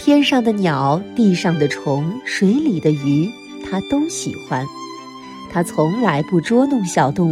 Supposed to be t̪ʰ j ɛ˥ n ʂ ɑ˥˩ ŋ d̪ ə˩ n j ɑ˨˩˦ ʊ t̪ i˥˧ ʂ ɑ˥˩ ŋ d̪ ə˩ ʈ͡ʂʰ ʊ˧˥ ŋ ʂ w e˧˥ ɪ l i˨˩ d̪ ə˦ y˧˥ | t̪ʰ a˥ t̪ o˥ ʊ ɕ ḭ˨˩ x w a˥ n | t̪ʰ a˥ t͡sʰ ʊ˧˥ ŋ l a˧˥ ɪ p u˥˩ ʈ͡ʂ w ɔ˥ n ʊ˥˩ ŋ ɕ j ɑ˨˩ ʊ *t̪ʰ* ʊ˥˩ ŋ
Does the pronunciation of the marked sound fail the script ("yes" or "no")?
yes